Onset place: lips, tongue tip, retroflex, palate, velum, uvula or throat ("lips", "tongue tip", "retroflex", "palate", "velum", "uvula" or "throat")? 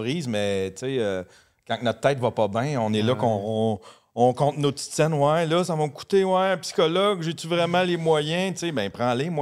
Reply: uvula